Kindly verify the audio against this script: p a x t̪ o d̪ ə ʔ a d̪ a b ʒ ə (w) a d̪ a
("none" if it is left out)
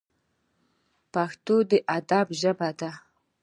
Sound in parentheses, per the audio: b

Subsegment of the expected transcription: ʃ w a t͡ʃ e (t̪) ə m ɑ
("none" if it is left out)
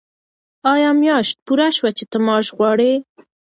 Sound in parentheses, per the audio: t̪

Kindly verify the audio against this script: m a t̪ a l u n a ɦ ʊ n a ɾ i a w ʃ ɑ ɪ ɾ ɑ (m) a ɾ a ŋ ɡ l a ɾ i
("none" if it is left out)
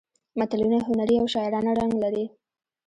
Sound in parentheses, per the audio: n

